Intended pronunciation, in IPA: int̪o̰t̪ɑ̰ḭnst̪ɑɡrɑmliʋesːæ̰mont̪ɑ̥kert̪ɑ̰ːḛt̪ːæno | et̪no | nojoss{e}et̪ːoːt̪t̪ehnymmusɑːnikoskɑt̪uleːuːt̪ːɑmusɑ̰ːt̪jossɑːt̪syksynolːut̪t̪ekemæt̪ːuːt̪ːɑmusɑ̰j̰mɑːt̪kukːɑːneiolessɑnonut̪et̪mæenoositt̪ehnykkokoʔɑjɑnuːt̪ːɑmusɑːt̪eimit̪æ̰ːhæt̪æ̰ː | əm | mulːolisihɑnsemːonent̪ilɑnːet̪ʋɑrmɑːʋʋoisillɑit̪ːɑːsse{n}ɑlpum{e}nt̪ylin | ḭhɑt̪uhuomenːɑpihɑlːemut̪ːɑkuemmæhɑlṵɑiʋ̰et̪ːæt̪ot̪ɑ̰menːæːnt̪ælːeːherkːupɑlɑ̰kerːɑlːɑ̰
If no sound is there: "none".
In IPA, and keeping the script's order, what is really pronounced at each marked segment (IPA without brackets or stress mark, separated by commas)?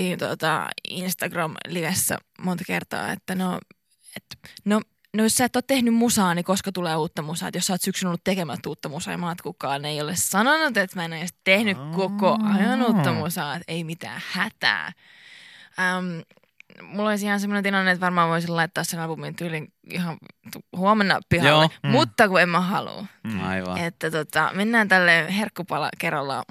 æ, n, i